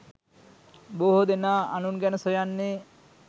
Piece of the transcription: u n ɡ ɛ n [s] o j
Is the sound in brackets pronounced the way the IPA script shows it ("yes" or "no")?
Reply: yes